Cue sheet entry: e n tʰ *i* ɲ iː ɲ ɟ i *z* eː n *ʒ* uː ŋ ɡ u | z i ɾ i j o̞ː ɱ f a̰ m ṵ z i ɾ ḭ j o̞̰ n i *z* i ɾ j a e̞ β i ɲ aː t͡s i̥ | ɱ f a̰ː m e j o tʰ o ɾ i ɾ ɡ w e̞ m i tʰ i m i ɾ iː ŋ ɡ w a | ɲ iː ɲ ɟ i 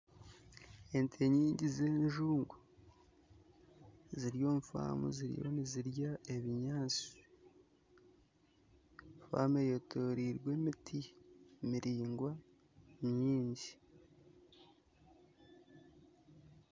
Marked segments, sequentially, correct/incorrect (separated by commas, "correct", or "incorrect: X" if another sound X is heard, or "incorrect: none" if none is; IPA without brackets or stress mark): incorrect: e, correct, correct, correct